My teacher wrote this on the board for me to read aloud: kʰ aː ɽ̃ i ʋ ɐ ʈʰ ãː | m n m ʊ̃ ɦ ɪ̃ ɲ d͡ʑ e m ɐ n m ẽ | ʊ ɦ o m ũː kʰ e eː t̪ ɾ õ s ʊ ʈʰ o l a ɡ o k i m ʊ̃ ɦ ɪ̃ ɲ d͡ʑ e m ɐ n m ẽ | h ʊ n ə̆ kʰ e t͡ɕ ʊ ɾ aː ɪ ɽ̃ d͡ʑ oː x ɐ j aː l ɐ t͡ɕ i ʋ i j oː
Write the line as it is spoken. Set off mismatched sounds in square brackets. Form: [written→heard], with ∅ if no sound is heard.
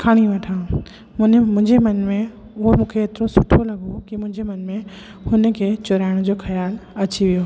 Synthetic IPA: kʰ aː ɽ̃ i ʋ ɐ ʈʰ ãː | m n m ʊ̃ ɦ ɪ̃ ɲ d͡ʑ e m ɐ n m ẽ | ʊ ɦ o m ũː kʰ e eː t̪ ɾ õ s ʊ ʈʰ o l [a→ɐ] ɡ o k i m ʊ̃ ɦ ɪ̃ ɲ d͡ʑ e m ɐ n m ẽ | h ʊ n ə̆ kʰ e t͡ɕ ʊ ɾ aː ɪ ɽ̃ d͡ʑ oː x ɐ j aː l ɐ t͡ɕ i ʋ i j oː